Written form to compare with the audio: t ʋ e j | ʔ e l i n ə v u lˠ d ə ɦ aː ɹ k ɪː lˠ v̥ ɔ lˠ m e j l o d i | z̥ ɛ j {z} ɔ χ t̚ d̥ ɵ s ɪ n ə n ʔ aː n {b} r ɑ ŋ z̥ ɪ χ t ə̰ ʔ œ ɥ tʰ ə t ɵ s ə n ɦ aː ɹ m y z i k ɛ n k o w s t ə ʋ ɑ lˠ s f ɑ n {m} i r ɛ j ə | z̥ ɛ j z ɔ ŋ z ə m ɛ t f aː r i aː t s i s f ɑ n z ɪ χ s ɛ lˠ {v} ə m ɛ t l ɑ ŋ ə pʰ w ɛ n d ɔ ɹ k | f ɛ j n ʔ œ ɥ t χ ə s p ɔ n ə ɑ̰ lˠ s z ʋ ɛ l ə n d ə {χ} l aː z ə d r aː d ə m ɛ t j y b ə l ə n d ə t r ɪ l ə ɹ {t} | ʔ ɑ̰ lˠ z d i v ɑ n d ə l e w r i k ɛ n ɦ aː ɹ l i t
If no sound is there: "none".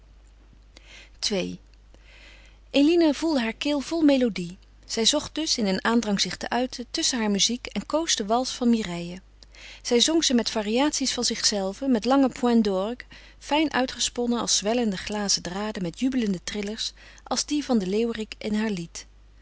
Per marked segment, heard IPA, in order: z, d, m, v, χ, s

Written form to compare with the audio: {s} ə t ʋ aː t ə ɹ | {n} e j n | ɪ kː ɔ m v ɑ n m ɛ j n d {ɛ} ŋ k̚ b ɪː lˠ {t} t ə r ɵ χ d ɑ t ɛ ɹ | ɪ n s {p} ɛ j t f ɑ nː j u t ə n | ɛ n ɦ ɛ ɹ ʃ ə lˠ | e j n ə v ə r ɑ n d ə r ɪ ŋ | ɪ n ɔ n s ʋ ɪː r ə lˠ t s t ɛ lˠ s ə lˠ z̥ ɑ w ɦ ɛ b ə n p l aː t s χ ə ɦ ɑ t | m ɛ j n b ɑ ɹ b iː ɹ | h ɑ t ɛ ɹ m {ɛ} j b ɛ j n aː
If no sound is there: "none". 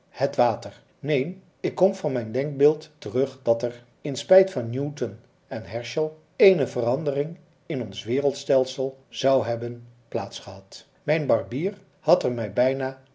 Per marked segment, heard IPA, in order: h, n, ɛ, t, p, ɛ

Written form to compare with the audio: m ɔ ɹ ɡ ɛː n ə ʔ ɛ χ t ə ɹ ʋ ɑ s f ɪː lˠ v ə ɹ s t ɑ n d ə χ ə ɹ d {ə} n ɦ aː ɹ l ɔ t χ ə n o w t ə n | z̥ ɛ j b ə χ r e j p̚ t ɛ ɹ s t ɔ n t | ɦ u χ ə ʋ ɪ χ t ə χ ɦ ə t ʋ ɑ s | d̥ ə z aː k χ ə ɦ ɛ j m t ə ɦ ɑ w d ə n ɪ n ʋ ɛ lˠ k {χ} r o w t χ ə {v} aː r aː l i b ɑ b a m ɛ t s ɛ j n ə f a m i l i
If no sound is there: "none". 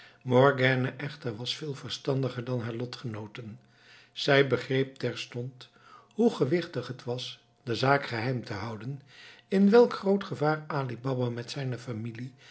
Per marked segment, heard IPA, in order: ɑ, χ, v

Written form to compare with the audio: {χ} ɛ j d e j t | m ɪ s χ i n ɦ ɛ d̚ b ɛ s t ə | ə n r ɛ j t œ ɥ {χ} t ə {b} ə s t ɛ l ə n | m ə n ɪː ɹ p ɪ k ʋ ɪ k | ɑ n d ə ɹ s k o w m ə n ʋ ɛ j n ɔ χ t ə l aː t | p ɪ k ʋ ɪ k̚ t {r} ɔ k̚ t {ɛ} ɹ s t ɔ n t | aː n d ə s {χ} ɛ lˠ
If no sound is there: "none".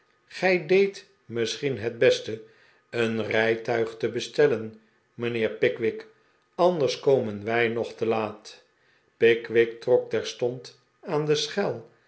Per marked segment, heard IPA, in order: χ, χ, b, r, ɛ, χ

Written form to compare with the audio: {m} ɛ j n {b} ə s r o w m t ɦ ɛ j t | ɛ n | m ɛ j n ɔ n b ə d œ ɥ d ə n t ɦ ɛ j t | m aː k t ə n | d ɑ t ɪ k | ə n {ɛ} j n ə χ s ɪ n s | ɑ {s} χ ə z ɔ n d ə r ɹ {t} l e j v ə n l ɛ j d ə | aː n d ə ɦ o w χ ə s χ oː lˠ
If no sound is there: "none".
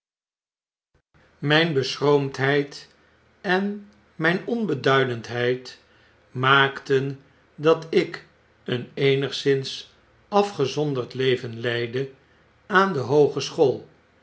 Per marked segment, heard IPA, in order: m, b, e, f, t

